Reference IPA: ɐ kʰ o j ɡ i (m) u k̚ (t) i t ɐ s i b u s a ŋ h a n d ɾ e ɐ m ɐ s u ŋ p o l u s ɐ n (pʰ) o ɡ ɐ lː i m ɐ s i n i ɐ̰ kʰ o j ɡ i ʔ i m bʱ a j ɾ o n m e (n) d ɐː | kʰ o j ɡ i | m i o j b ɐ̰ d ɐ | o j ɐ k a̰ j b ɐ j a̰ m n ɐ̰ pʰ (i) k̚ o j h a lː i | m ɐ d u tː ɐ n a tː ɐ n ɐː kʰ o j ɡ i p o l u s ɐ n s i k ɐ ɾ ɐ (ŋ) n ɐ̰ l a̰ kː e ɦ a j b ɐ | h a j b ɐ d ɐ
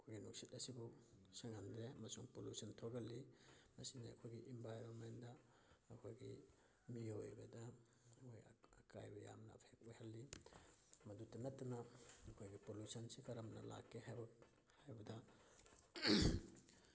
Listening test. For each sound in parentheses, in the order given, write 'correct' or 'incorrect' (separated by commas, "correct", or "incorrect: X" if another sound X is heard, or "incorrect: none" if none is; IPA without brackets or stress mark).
incorrect: n, incorrect: s, incorrect: tʰ, correct, incorrect: e, incorrect: m